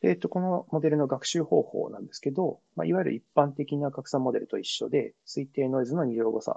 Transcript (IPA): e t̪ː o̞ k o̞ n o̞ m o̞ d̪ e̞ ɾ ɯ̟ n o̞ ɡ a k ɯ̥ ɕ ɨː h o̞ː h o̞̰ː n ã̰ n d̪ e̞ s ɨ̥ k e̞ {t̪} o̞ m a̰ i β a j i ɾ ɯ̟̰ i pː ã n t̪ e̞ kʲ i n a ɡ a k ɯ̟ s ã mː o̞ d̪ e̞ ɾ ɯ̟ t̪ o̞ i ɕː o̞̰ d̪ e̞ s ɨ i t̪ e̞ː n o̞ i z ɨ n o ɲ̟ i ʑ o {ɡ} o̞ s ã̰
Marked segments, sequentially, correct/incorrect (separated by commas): incorrect, correct